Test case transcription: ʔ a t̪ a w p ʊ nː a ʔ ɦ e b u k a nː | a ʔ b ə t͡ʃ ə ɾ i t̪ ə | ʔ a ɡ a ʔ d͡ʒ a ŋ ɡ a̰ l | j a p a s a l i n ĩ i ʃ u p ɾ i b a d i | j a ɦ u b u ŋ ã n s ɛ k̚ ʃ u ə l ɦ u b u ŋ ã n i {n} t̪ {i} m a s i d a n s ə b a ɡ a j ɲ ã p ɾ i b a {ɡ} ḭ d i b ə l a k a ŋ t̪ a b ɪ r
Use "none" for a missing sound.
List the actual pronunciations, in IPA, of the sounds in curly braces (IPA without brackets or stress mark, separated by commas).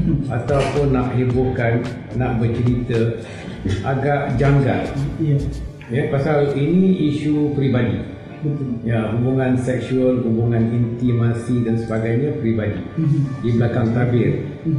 n, i, d